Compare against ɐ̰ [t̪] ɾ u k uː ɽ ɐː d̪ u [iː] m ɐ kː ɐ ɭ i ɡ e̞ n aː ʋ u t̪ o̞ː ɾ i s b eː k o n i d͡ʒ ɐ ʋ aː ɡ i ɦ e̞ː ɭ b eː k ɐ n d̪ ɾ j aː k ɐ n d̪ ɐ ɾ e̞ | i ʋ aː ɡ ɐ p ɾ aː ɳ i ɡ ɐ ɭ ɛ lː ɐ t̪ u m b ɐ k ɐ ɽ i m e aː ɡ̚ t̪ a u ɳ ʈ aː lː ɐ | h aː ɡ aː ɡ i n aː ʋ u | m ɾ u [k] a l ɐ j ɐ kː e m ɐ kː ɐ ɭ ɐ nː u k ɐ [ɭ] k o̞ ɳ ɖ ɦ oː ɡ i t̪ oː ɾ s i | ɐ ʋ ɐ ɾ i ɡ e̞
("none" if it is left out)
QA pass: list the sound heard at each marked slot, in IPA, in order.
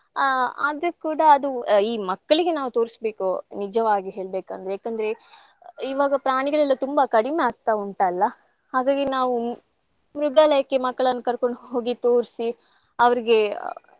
d̪, iː, ɡ, ɾ

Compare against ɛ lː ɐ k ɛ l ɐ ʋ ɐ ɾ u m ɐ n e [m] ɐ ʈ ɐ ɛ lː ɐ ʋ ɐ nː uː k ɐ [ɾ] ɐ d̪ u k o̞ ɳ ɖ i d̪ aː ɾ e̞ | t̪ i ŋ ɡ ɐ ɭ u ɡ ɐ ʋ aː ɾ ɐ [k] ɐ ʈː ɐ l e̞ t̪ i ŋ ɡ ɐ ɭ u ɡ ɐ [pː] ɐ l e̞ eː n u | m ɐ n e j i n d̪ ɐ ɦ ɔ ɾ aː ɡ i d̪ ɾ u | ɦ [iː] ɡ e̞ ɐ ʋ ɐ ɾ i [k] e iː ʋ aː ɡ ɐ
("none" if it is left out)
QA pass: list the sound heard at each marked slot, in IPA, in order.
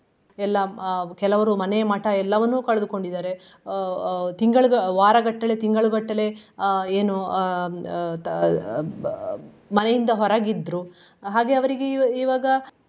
m, ɭ, ɡ, ʈː, aː, ɡ

